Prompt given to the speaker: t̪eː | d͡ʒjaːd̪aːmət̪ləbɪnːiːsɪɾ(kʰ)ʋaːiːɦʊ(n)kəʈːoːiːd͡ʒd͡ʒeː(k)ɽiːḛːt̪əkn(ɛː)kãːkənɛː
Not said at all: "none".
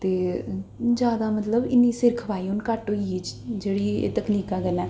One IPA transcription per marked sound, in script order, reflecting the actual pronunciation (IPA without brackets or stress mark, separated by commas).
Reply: kʰ, n, none, iː